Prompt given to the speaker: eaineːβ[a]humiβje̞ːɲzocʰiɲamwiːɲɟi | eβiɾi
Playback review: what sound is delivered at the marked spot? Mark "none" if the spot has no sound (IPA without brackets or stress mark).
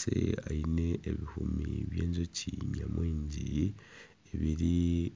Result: i